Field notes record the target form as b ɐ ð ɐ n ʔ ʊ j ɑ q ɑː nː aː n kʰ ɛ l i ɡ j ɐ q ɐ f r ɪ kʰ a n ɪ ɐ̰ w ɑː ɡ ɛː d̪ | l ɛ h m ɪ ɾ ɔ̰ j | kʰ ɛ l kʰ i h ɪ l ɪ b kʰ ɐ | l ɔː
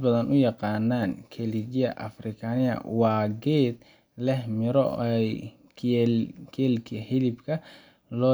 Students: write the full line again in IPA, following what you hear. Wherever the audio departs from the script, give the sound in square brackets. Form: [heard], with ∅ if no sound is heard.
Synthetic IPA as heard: b ɐ ð ɐ n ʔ ʊ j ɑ q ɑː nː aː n kʰ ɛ l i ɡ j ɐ [ʔ] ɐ f r ɪ kʰ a n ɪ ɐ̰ w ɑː ɡ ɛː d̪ | l ɛ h m ɪ ɾ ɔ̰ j | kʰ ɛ l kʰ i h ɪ l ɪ b kʰ ɐ | l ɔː